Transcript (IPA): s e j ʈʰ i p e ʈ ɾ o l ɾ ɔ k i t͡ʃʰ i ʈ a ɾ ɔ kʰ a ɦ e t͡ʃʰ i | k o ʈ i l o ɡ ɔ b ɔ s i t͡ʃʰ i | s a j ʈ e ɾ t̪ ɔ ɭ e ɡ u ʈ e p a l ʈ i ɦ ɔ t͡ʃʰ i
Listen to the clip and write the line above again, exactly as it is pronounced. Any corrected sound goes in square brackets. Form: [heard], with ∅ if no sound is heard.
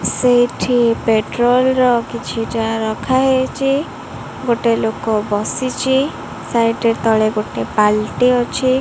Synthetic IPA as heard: s e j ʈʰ i p e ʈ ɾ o l ɾ ɔ k i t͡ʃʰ i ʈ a ɾ ɔ kʰ a ɦ e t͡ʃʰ i | [ɡ] o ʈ [e] l o [k] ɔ b ɔ s i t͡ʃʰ i | s a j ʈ e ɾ t̪ ɔ ɭ e ɡ [o] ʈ e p a l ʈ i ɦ ɔ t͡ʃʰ i